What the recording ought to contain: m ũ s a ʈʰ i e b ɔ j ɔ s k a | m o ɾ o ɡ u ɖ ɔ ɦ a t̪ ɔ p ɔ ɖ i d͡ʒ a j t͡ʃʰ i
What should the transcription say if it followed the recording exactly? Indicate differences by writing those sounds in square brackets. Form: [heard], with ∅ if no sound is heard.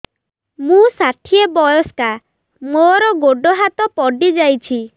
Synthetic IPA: m ũ s a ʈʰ i e b ɔ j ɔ s k a | m o ɾ [ɔ] ɡ [o] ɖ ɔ ɦ a t̪ ɔ p ɔ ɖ i d͡ʒ a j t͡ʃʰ i